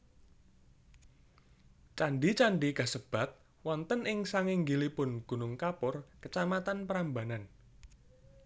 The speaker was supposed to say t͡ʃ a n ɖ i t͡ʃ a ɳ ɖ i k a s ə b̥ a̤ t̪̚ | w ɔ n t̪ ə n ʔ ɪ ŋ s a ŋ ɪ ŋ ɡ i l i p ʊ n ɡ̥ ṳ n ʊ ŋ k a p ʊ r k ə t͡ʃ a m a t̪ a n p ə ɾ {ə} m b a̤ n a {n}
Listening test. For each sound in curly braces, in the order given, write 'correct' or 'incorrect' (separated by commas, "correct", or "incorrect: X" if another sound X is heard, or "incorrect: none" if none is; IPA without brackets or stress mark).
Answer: incorrect: a, correct